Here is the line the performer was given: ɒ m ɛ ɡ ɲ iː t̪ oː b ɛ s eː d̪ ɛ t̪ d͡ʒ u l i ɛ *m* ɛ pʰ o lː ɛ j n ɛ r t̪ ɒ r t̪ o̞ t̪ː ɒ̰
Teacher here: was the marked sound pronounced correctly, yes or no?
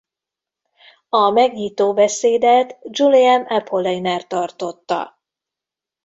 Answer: yes